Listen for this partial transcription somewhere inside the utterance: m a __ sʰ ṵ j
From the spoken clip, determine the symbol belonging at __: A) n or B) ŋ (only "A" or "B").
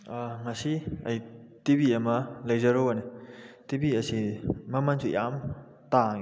A